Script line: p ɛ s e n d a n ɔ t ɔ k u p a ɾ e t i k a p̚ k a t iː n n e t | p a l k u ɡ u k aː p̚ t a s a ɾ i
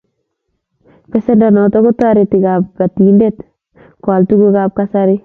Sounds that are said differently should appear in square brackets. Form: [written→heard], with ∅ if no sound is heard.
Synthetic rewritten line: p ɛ s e n d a n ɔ t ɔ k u [p→t] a ɾ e t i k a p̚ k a t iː n [n→d] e t | [p→k] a l [k→t] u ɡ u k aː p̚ [t→k] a s a ɾ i

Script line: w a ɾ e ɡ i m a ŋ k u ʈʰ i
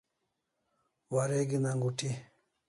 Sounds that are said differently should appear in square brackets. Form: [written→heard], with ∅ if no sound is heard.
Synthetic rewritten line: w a ɾ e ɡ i [m→n] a ŋ [k→ɡ] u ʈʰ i

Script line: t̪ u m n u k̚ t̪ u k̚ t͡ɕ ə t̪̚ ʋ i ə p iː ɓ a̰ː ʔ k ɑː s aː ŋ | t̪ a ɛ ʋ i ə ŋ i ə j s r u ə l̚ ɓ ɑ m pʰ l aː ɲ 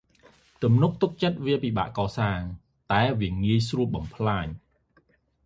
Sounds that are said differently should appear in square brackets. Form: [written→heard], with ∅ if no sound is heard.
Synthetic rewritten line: t̪ u m n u k̚ t̪ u k̚ t͡ɕ ə t̪̚ ʋ i ə p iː ɓ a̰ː ʔ k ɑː s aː ŋ | t̪ a ɛ ʋ i ə ŋ i ə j s r u ə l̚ ɓ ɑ m pʰ l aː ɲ

